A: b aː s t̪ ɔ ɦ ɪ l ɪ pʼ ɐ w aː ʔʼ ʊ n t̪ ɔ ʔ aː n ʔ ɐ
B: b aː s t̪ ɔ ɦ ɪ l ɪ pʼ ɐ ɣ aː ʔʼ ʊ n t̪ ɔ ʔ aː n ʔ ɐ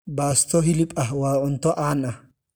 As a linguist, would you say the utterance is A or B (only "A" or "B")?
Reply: A